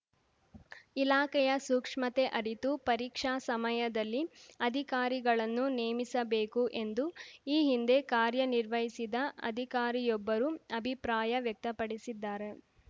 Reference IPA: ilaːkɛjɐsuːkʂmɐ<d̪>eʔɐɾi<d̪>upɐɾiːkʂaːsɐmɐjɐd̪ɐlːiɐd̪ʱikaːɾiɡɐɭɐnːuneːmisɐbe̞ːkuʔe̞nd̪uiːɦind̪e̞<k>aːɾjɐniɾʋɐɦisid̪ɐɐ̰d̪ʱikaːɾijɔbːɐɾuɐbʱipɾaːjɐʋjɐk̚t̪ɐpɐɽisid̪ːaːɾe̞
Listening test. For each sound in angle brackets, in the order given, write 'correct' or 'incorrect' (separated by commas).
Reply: incorrect, incorrect, correct